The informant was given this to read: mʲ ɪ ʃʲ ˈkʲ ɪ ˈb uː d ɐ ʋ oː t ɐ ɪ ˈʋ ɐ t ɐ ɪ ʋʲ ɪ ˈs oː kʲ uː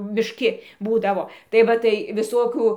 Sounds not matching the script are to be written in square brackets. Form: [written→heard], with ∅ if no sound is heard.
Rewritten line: mʲ ɪ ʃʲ ˈkʲ ɪ ˈb uː d ɐ ʋ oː t ɐ ɪ ˈʋ ɐ t ɐ ɪ ʋʲ ɪ ˈs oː kʲ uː

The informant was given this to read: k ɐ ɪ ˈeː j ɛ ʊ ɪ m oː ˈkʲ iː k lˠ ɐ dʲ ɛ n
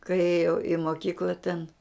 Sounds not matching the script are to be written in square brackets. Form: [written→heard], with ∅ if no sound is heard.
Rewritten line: k ɐ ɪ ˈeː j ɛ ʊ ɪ m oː ˈkʲ iː k lˠ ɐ [dʲ→tʲ] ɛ n

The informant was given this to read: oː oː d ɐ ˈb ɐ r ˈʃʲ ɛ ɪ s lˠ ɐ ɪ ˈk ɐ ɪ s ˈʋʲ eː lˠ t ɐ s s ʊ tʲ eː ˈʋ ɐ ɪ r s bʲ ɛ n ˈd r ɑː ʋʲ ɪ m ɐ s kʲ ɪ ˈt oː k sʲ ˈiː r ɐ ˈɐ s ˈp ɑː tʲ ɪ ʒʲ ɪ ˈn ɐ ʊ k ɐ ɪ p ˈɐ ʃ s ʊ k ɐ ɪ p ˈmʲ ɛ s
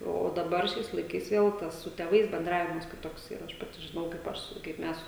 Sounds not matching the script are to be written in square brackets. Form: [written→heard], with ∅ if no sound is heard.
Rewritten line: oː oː d ɐ ˈb ɐ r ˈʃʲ ɛ ɪ s lˠ ɐ ɪ ˈk ɐ ɪ s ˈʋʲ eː lˠ t ɐ s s ʊ tʲ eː ˈʋ ɐ ɪ [r→∅] s bʲ ɛ n ˈd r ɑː ʋʲ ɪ m ɐ s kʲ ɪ ˈt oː k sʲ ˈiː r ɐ ˈɐ [s→ʃ] ˈp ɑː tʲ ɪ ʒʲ ɪ ˈn ɐ ʊ k ɐ ɪ p ˈɐ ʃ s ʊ k ɐ ɪ p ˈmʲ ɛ s

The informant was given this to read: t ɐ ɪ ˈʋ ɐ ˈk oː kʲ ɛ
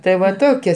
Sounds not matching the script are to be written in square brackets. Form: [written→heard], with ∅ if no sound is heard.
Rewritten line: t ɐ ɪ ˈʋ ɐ [ˈk→ˈt] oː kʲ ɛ

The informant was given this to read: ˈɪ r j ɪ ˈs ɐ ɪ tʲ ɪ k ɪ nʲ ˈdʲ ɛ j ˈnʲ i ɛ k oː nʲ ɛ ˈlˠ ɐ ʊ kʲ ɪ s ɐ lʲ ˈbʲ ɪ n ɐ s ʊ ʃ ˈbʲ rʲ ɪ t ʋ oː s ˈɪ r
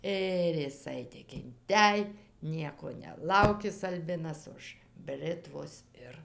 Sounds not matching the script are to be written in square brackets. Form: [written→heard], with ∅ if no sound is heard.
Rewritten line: ˈɪ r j ɪ ˈs ɐ ɪ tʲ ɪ k ɪ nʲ [ˈdʲ→ˈtʲ] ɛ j ˈnʲ i ɛ k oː nʲ ɛ ˈlˠ ɐ ʊ kʲ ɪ s ɐ lʲ ˈbʲ ɪ n ɐ s ʊ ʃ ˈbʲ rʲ ɪ t ʋ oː s ˈɪ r

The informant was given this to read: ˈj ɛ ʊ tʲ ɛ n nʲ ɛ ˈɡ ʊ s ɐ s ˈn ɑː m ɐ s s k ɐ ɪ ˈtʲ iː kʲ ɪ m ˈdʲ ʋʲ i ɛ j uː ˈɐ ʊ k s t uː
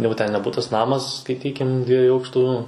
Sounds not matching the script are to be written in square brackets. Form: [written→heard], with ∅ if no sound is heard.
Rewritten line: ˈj ɛ ʊ tʲ ɛ n nʲ ɛ [ˈɡ→ˈb] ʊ [s→t] ɐ s ˈn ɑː m ɐ s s k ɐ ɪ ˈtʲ iː kʲ ɪ m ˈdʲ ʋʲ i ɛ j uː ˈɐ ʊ k [s→ʃ] t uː

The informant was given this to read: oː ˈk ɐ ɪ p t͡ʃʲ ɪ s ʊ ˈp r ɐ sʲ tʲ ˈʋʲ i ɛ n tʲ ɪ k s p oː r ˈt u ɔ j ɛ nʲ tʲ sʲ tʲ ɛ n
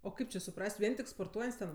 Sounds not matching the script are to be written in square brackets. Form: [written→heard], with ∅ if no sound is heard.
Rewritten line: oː ˈk ɐ ɪ p t͡ʃʲ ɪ s ʊ ˈp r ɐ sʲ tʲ ˈʋʲ i ɛ n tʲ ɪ k s p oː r ˈt u ɔ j ɛ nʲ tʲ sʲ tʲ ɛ n

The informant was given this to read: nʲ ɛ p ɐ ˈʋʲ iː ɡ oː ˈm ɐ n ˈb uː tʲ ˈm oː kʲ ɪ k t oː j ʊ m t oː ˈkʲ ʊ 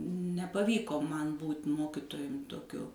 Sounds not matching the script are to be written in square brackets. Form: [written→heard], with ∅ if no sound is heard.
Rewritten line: nʲ ɛ p ɐ ˈʋʲ iː [ɡ→k] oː ˈm ɐ n ˈb uː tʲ ˈm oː kʲ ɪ [k→∅] t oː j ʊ m t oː ˈkʲ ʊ

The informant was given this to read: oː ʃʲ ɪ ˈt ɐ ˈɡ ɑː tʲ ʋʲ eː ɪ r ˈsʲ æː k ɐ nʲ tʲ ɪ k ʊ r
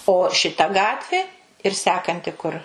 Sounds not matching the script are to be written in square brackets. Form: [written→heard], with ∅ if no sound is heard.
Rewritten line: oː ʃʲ ɪ ˈt ɐ ˈɡ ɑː tʲ ʋʲ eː ɪ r ˈsʲ æː k ɐ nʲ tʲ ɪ k ʊ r

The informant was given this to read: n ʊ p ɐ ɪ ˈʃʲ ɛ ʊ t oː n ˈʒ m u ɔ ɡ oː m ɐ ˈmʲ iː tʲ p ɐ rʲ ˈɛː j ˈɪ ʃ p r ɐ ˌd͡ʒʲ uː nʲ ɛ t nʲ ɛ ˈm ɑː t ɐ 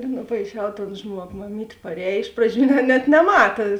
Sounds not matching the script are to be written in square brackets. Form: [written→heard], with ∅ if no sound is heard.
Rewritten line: n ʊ p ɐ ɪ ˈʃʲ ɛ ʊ t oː n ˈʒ m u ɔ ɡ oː m ɐ ˈmʲ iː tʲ p ɐ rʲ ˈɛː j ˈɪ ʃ p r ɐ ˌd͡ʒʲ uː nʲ ɛ t nʲ ɛ ˈm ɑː t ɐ

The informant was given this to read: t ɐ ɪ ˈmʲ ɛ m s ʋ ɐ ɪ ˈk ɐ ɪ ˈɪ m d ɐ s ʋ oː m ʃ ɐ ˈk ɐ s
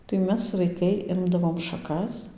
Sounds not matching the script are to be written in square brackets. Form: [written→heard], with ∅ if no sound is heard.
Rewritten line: t ɐ ɪ ˈmʲ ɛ [m→∅] s ʋ ɐ ɪ ˈk ɐ ɪ ˈɪ m d ɐ [s→∅] ʋ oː m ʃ ɐ ˈk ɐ s

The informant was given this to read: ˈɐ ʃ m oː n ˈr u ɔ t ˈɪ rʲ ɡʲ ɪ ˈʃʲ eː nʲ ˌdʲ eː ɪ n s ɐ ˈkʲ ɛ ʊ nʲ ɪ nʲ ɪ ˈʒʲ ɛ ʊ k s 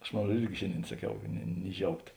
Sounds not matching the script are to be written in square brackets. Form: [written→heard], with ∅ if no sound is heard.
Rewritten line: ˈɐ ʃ m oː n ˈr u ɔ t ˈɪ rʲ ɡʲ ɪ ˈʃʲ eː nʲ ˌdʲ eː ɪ n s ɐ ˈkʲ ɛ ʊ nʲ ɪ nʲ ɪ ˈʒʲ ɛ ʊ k [s→t]

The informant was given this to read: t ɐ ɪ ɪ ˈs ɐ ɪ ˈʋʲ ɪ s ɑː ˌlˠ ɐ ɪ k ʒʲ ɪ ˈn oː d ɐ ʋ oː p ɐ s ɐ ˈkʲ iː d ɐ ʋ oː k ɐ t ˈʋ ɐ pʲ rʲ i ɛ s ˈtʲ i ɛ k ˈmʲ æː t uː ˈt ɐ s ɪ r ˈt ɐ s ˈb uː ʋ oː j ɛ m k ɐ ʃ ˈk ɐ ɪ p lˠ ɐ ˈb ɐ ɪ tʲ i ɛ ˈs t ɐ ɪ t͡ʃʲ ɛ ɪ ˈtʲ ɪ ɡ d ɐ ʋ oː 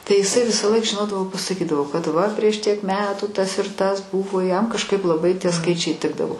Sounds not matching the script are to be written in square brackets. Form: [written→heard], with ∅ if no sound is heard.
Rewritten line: t ɐ ɪ ɪ ˈs ɐ ɪ ˈʋʲ ɪ s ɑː ˌlˠ ɐ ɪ k ʒʲ ɪ ˈn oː d ɐ ʋ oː p ɐ s ɐ ˈkʲ iː d ɐ ʋ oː k ɐ t ˈʋ ɐ pʲ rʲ i ɛ [s→ʃ] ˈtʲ i ɛ k ˈmʲ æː t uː ˈt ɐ s ɪ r ˈt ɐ s ˈb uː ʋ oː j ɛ m k ɐ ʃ ˈk ɐ ɪ p lˠ ɐ ˈb ɐ ɪ tʲ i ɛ ˈs [t→k] ɐ ɪ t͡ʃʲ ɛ ɪ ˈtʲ ɪ ɡ d ɐ ʋ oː

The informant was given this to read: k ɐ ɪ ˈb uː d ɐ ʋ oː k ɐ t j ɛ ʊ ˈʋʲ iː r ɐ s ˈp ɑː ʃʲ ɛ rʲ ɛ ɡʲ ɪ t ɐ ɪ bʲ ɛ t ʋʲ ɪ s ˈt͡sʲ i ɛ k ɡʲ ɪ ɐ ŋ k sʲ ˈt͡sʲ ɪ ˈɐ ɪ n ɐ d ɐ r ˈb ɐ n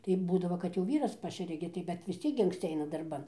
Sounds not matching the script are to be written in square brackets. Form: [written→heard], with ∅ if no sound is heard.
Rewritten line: [k→t] ɐ ɪ ˈb uː d ɐ ʋ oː k ɐ t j ɛ ʊ ˈʋʲ iː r ɐ s ˈp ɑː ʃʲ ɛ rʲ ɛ ɡʲ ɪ t ɐ ɪ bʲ ɛ t ʋʲ ɪ s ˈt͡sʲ i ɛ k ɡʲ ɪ ɐ ŋ k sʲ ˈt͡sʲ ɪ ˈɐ ɪ n ɐ d ɐ r ˈb ɐ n

